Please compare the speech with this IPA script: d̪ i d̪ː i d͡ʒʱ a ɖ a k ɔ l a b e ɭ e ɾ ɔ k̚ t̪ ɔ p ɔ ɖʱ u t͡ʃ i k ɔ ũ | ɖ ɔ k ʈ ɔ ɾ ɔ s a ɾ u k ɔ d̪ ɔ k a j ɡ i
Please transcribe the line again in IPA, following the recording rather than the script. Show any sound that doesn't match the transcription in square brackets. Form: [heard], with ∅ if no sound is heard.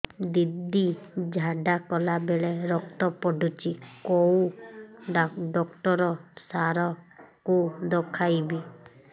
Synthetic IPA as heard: d̪ i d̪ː i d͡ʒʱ a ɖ a k ɔ l a b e ɭ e ɾ ɔ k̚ t̪ ɔ p ɔ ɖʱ u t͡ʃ i k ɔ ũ | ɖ ɔ k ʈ ɔ ɾ ɔ s a ɾ [ɔ] k [u] d̪ ɔ [kʰ] a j [b] i